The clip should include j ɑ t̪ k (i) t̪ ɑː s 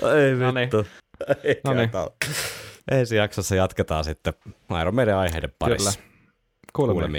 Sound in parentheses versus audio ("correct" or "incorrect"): incorrect